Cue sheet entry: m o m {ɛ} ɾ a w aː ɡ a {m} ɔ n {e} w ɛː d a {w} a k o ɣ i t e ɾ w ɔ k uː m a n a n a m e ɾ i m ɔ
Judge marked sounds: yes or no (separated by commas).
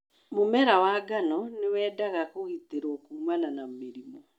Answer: yes, no, yes, no